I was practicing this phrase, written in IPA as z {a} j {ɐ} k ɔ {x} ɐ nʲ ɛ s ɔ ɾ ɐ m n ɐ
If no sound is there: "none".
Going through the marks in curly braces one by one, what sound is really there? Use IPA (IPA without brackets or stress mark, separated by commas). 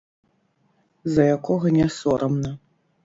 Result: ɐ, a, ɣ